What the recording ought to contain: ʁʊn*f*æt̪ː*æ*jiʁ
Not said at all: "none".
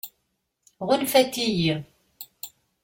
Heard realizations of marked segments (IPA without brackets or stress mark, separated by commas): f, i